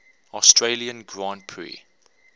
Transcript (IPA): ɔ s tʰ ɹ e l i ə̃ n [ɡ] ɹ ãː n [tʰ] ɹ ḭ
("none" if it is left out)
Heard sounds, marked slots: ɡ, pʰ

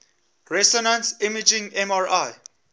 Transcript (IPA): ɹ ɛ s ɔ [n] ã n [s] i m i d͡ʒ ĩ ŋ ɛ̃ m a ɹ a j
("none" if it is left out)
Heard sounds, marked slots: n, s

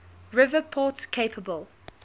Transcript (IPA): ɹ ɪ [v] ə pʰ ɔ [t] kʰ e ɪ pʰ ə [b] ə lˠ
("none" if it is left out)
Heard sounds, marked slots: v, t, b

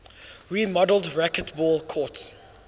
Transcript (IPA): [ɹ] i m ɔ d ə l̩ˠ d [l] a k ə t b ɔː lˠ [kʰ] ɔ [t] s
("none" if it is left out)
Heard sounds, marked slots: ɹ, ɹ, kʰ, t

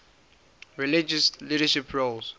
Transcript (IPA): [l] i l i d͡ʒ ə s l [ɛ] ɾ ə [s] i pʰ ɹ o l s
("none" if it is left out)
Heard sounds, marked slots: ɹ, i, ʃ

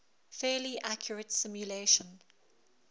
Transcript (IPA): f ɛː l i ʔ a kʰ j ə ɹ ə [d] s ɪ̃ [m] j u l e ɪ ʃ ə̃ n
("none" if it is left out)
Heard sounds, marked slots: t, m

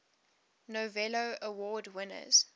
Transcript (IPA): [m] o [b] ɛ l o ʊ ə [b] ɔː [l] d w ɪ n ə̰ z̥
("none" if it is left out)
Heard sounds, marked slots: n, v, w, none

